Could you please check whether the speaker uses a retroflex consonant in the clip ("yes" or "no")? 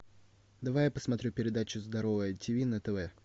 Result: no